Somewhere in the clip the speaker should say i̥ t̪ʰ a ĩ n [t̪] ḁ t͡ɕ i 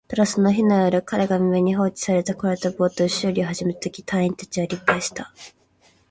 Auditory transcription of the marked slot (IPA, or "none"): t̪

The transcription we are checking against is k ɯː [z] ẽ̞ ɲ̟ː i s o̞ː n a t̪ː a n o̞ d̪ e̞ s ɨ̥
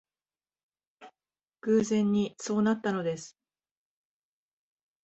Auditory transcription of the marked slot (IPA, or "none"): z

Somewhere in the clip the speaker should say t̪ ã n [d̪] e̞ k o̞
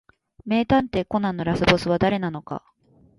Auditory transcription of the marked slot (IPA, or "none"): t̪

